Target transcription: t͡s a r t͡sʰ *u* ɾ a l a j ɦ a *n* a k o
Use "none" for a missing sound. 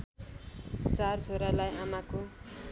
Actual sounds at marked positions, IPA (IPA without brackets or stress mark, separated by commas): o, m